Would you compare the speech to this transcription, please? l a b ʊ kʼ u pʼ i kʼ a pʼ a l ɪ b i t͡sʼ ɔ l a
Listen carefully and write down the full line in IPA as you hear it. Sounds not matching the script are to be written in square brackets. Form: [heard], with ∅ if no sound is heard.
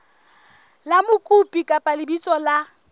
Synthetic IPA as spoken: l a [m] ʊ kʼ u pʼ i kʼ a pʼ a l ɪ b i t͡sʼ ɔ l a